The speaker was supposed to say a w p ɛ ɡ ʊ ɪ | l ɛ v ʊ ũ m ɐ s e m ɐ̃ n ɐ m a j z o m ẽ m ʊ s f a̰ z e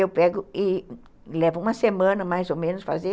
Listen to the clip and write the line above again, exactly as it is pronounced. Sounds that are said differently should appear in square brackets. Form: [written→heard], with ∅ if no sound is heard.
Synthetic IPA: [a→e] w p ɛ ɡ ʊ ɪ | l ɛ v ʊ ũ m ɐ s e m ɐ̃ n ɐ m a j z o m ẽ [m→n] ʊ s f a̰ z e